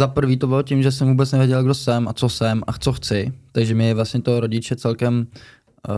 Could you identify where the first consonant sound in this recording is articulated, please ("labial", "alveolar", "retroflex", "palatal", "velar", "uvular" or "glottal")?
alveolar